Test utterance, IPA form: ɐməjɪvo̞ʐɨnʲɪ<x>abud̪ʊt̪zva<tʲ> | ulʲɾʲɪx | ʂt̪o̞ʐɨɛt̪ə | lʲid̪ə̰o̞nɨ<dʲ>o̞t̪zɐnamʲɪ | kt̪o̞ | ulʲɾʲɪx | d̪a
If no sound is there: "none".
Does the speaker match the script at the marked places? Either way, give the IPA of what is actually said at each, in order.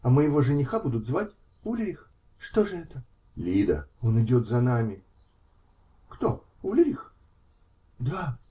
x, tʲ, dʲ

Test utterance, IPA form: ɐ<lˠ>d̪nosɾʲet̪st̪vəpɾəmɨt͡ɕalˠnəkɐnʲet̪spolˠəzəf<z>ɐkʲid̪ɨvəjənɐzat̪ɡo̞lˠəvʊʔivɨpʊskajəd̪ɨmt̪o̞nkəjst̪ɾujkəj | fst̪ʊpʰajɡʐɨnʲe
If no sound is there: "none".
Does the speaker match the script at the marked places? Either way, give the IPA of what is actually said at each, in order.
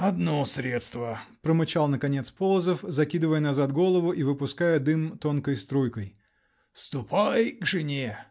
none, z

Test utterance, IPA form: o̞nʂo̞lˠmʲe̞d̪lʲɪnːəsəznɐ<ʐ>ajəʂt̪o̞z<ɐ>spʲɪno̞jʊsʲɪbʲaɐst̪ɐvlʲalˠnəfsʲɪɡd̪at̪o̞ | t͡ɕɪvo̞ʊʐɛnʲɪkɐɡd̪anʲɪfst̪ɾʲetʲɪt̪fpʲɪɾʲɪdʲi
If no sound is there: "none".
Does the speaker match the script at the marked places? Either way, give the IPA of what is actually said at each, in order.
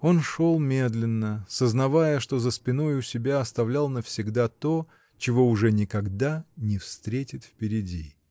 v, ə

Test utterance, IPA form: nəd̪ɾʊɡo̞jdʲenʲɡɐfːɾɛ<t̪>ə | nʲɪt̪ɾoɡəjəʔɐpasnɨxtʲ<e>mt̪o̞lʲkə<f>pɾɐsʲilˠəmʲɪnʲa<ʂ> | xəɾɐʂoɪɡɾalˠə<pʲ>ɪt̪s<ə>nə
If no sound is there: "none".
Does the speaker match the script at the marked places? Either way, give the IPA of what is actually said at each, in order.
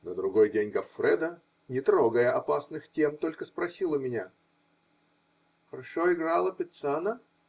d̪, e, s, none, pʲ, a

